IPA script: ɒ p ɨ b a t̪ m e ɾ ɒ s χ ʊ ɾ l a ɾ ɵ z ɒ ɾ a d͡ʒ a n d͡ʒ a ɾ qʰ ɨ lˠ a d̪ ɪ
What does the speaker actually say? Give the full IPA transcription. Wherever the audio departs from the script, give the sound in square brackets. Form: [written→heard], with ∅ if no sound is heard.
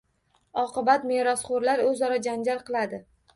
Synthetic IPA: ɒ [p→q] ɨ b a t̪ m e ɾ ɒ s χ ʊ ɾ l a ɾ ɵ z ɒ ɾ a d͡ʒ a n d͡ʒ a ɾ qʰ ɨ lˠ a d̪ ɪ